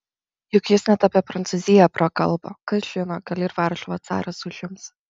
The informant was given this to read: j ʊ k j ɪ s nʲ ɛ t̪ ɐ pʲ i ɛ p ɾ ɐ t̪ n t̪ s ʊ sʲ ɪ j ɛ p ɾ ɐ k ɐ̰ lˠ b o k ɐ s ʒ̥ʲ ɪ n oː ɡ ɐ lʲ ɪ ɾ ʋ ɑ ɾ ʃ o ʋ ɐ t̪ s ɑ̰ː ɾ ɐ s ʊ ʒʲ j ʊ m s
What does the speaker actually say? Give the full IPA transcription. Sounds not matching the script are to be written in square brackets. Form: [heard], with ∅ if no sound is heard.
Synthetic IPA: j ʊ k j ɪ s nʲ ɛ t̪ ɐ pʲ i ɛ p ɾ ɐ [∅] n t̪ s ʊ [zʲ] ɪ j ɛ p ɾ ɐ k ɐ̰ lˠ b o k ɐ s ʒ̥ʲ ɪ n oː ɡ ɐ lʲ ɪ ɾ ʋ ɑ ɾ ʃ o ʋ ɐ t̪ s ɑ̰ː ɾ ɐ s ʊ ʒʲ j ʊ m s